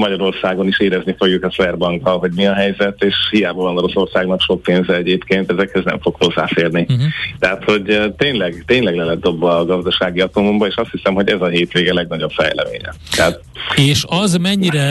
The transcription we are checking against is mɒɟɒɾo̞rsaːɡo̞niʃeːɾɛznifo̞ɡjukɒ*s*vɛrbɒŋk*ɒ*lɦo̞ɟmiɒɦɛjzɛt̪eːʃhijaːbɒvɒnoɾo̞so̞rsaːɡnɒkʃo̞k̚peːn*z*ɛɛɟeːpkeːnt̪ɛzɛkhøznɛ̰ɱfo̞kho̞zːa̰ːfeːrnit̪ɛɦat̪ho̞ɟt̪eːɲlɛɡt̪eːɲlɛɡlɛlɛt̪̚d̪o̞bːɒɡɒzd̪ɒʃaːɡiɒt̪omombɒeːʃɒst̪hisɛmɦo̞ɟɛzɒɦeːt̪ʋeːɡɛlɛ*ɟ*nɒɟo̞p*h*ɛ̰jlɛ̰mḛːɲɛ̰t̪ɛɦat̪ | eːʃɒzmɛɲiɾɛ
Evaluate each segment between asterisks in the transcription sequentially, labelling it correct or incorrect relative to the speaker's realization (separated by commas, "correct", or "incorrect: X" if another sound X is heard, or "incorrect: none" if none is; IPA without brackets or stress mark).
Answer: correct, correct, correct, incorrect: ɡ, incorrect: f